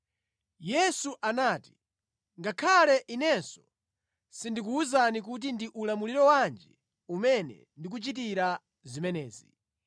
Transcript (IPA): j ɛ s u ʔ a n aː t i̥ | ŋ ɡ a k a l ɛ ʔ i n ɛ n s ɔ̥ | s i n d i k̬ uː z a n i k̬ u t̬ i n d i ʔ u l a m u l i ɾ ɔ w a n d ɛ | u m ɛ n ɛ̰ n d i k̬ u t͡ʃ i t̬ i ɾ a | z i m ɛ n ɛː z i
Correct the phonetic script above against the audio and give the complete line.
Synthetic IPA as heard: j ɛ s u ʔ a n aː t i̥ | ŋ ɡ a kʰ a l ɛ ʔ i n ɛ n s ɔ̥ | s i n d i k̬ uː z a n i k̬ u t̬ i n d i ʔ u l a m u l i ɾ ɔ w a n d͡ʒ ɛ | u m ɛ n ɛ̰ n d i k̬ u t͡ʃ i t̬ i ɾ a | z i m ɛ n ɛː z i